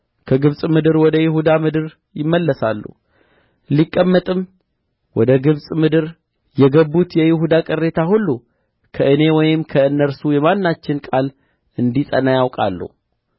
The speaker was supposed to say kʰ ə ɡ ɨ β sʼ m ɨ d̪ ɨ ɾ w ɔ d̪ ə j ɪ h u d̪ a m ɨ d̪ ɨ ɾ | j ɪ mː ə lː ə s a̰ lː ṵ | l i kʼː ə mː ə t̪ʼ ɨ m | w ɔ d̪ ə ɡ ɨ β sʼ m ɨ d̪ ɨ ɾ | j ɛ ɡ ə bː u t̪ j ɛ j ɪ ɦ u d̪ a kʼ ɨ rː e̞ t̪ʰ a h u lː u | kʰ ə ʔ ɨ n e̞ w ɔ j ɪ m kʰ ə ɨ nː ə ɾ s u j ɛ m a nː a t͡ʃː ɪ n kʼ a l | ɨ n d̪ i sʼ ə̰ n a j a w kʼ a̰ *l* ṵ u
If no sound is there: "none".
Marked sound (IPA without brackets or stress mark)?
lː